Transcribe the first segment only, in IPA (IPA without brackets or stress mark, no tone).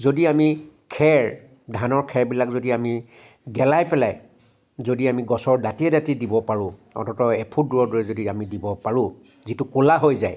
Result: z